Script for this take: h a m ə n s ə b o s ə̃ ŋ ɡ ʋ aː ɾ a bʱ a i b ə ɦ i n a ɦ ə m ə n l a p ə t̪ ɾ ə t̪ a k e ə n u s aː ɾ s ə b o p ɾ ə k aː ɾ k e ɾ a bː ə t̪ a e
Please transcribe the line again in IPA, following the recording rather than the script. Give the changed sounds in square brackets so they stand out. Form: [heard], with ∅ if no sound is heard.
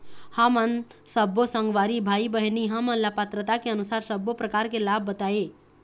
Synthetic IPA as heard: h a m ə n s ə b o s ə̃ ŋ ɡ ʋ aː ɾ [i] bʱ a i b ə ɦ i n [i] ɦ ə m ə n l a p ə t̪ ɾ ə t̪ a k e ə n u s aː ɾ s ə b o p ɾ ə k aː ɾ k e [l] a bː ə t̪ a e